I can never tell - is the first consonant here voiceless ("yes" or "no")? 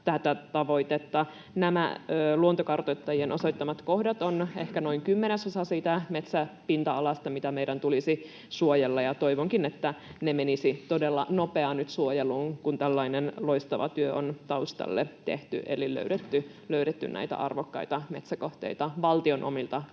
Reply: yes